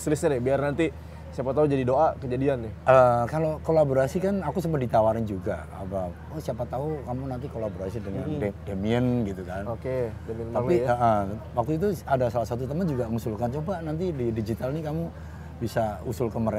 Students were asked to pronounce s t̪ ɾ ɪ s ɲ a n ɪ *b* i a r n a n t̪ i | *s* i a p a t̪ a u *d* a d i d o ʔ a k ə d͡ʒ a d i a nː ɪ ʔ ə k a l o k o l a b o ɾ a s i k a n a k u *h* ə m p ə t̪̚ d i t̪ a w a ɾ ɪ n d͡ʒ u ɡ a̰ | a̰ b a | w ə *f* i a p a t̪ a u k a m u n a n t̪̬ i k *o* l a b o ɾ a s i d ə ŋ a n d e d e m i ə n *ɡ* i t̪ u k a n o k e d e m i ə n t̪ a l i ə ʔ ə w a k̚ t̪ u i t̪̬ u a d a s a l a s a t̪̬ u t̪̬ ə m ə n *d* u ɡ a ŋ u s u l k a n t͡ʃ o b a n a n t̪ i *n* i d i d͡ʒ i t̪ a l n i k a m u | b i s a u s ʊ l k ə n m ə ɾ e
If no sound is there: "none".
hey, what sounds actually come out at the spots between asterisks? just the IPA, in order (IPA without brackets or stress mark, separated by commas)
b, s, d͡ʒ, s, s, o, ɡ, d͡ʒ, d